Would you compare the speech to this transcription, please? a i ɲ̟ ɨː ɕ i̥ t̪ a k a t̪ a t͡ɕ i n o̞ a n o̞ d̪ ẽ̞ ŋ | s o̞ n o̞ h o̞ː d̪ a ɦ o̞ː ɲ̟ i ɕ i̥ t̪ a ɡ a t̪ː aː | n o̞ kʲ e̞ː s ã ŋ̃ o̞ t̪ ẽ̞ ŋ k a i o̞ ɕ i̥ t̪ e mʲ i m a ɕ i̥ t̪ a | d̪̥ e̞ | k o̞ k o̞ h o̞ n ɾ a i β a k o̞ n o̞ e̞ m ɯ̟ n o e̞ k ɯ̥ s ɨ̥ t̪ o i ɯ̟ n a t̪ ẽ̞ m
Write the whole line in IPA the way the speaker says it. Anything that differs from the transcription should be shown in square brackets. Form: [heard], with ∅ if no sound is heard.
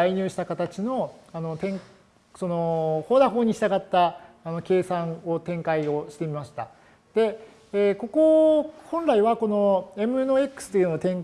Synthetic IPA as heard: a i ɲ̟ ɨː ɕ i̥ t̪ a k a t̪ a t͡ɕ i n o̞ a n o̞ [t̪] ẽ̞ ŋ | s o̞ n o̞ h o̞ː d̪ a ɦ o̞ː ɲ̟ i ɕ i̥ t̪ a ɡ a t̪ː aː | n o̞ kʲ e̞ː s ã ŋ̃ o̞ t̪ ẽ̞ ŋ k a i o̞ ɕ i̥ t̪ e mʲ i m a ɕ i̥ t̪ a | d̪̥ e̞ | k o̞ k o̞ h [õ̞] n ɾ a i β a k o̞ n o̞ e̞ m ɯ̟ n o e̞ k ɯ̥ s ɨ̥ t̪ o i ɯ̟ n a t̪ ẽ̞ [ŋ]